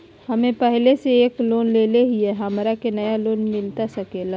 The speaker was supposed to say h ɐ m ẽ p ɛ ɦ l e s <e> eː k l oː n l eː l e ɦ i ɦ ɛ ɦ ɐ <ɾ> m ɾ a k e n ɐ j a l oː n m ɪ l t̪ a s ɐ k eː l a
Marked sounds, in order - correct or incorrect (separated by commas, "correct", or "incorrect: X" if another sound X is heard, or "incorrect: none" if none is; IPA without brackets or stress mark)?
correct, incorrect: none